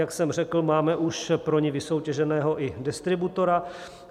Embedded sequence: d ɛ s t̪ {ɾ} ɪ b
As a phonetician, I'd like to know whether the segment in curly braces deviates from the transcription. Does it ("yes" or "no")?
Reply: no